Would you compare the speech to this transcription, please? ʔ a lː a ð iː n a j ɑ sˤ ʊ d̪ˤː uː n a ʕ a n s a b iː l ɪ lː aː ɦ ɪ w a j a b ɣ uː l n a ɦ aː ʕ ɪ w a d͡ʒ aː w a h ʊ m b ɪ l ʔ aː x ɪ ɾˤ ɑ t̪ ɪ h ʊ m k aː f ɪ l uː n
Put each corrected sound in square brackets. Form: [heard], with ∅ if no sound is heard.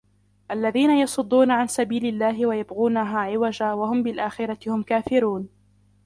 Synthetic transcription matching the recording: ʔ a lː a ð iː n a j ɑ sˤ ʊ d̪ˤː uː n a ʕ a n s a b iː l ɪ lː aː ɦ ɪ w a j a b ɣ uː [∅] n a ɦ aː ʕ ɪ w a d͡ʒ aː w a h ʊ m b ɪ l ʔ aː x ɪ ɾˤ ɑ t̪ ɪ h ʊ m k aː f ɪ [ɾ] uː n